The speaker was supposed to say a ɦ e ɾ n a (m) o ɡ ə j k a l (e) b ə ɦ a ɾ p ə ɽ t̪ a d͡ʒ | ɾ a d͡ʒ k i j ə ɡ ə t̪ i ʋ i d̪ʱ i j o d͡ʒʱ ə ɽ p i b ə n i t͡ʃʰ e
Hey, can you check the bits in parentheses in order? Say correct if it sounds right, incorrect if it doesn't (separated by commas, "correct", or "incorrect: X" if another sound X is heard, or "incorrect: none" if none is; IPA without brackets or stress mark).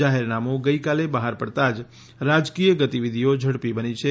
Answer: correct, correct